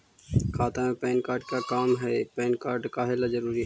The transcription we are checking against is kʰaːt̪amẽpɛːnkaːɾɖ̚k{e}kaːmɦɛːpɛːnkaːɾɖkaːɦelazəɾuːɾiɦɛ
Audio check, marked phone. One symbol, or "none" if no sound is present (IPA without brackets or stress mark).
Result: a